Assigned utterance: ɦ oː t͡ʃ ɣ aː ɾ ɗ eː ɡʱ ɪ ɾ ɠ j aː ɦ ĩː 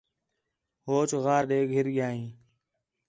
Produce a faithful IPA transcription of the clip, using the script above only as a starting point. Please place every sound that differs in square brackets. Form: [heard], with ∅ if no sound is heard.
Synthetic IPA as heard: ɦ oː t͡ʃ ɣ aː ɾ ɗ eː ɡʱ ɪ ɾ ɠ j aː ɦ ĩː